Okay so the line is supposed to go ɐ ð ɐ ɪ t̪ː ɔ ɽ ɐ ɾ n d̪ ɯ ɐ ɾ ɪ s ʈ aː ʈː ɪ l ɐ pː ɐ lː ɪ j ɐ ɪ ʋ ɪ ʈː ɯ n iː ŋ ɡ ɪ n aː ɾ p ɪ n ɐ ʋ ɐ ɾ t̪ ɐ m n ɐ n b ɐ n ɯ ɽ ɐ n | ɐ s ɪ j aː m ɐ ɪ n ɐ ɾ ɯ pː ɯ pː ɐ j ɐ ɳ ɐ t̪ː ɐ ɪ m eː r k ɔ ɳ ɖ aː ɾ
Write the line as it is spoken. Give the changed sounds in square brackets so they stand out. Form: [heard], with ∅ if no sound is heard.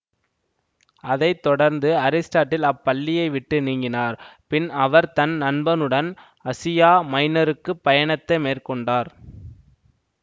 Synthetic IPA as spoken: ɐ ð ɐ ɪ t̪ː ɔ ɽ ɐ ɾ n d̪ ɯ ɐ ɾ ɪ s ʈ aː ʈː ɪ l ɐ pː ɐ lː ɪ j ɐ ɪ ʋ ɪ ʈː ɯ n iː ŋ ɡ ɪ n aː ɾ p ɪ n ɐ ʋ ɐ ɾ t̪ ɐ [n] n ɐ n b ɐ n ɯ ɽ ɐ n | ɐ s ɪ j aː m ɐ ɪ n ɐ ɾ ɯ [kː] ɯ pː ɐ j ɐ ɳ ɐ t̪ː ɐ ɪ m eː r k ɔ ɳ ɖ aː ɾ